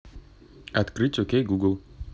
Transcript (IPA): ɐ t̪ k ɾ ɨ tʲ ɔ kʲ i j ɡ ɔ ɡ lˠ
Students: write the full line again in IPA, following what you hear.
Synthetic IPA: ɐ t̪ k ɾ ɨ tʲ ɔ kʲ e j ɡ u ɡ lˠ